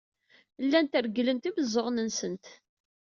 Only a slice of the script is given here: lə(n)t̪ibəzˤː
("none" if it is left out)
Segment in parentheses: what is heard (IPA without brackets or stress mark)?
n